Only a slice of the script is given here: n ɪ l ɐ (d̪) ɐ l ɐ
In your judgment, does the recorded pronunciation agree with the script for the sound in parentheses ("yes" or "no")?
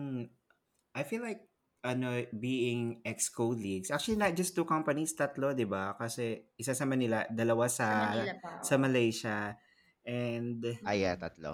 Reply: yes